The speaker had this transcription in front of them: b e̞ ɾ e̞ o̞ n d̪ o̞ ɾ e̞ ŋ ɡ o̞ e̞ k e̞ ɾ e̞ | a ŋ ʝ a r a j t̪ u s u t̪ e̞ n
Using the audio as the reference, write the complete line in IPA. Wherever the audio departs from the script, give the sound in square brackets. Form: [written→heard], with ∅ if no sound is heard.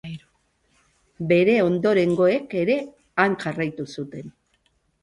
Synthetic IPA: b e̞ ɾ e̞ o̞ n d̪ o̞ ɾ e̞ ŋ ɡ o̞ e̞ k e̞ ɾ e̞ | a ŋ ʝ a r a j t̪ u s u t̪ e̞ n